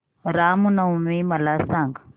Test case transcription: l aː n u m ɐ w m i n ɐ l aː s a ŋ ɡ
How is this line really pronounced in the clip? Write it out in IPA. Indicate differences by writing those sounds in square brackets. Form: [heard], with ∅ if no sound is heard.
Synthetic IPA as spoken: [ɾ] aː [m] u [n] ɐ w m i [m] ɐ l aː s a ŋ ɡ